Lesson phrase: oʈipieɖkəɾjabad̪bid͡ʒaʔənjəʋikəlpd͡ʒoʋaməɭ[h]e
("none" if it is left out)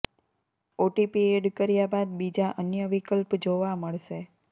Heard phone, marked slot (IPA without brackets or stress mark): ʃ